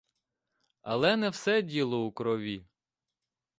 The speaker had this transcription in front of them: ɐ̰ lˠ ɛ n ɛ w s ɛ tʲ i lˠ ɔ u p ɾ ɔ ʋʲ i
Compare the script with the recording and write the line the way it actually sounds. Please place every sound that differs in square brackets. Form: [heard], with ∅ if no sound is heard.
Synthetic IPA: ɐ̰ lˠ ɛ n ɛ w s ɛ [dʲ] i lˠ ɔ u [k] ɾ ɔ ʋʲ i